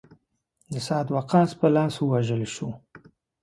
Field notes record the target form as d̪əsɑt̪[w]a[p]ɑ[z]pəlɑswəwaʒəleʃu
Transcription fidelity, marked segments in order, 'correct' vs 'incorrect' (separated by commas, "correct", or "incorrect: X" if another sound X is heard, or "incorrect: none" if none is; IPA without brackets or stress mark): correct, incorrect: q, incorrect: s